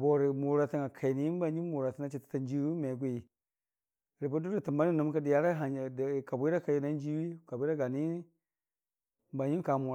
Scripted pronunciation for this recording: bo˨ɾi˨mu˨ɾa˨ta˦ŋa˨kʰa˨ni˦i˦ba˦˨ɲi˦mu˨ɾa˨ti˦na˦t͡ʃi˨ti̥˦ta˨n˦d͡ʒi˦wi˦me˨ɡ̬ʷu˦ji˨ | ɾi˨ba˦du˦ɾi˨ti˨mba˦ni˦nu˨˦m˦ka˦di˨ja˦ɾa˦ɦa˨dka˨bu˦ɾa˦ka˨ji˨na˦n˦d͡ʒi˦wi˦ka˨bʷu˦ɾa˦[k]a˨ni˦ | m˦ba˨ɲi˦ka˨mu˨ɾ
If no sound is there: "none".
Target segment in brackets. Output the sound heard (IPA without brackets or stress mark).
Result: ɡ